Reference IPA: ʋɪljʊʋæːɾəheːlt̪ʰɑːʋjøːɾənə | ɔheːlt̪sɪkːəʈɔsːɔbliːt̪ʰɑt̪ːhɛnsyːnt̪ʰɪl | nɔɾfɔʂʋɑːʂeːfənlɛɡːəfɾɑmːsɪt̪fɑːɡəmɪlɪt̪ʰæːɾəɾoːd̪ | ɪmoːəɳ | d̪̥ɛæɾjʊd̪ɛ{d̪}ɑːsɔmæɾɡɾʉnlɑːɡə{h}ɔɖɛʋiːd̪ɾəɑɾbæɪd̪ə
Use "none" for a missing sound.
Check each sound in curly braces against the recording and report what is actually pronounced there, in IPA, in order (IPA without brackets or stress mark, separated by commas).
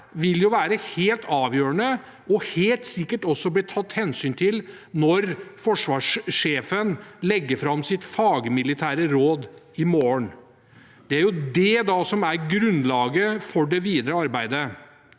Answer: d̪, f